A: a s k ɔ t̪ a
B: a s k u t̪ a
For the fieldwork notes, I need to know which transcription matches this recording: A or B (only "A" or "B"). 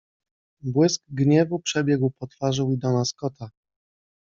A